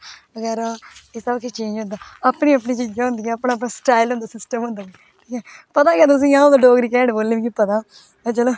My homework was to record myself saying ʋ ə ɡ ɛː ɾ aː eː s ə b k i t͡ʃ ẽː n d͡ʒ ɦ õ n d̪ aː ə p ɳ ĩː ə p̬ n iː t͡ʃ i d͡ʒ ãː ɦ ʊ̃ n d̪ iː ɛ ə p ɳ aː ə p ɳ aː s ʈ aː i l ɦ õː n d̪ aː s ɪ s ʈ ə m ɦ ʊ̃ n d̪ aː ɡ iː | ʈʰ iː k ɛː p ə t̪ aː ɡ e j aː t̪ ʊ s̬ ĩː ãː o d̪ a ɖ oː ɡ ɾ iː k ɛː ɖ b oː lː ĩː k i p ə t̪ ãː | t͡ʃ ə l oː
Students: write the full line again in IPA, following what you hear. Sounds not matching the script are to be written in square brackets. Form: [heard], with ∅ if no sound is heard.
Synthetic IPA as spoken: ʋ ə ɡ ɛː ɾ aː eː s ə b k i t͡ʃ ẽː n d͡ʒ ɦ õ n d̪ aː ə p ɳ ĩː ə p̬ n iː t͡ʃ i d͡ʒ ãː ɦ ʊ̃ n d̪ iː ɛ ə p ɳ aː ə p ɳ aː s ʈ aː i l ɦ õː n d̪ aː s ɪ s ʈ ə m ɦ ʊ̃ n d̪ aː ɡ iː | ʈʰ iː k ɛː p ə t̪ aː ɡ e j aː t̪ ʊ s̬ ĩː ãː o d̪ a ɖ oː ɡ ɾ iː k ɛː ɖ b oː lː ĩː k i p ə t̪ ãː | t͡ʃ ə l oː